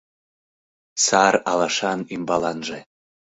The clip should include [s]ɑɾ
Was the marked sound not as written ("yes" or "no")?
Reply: no